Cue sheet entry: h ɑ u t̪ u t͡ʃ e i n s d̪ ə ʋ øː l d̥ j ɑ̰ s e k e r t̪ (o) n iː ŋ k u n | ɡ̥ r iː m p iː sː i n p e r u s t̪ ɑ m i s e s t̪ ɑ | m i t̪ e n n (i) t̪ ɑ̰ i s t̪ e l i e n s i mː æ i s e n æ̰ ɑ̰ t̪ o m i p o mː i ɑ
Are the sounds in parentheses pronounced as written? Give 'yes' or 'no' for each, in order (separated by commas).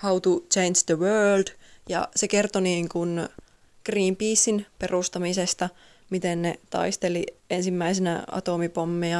yes, no